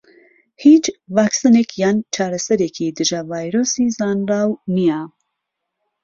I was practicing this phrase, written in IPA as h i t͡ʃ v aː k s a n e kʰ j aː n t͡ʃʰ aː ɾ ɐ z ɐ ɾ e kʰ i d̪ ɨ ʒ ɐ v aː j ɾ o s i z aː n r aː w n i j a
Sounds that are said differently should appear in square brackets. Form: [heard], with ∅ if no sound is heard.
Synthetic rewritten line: h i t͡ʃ v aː k s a n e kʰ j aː n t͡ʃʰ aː ɾ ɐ [s] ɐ ɾ e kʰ i d̪ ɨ ʒ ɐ v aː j ɾ o s i z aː n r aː w n i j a